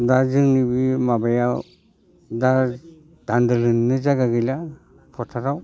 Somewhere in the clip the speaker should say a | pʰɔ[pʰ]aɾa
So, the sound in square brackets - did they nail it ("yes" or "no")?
no